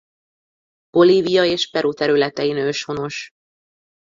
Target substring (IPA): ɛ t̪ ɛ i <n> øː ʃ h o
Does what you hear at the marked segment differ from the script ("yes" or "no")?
no